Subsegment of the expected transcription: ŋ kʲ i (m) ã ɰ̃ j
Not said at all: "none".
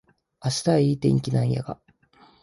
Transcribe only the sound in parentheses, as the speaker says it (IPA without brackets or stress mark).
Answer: n